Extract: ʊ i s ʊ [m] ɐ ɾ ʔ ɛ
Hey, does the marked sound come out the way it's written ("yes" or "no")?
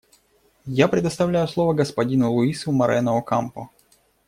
yes